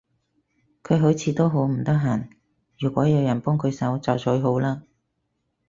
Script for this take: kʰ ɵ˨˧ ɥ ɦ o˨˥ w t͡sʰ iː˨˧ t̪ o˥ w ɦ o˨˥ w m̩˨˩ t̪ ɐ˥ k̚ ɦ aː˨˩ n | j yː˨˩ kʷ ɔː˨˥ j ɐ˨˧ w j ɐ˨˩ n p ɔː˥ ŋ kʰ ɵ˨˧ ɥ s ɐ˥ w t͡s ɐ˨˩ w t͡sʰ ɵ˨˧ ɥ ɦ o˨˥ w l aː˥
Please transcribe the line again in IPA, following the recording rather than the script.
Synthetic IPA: kʰ ɵ˨˧ ɥ ɦ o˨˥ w t͡sʰ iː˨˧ t̪ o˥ w ɦ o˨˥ w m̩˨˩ t̪ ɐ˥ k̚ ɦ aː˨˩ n | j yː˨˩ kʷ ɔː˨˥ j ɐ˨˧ w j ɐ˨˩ n p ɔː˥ ŋ kʰ ɵ˨˧ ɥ s ɐ˨˥ w t͡s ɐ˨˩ w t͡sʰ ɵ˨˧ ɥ ɦ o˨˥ w l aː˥